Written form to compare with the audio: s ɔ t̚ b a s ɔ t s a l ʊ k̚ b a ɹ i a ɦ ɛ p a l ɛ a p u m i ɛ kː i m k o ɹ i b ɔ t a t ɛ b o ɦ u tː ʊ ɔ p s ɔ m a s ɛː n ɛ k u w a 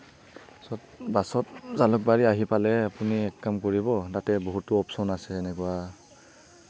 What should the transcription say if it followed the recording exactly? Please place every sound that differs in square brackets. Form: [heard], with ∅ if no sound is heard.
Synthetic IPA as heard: s ɔ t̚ b a s ɔ t [z] a l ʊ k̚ b a ɹ i a ɦ [i] p a l ɛ a p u [n] i ɛ kː [a] m k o ɹ i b ɔ t a t ɛ b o ɦ u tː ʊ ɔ p s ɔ [n] a s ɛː n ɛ k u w a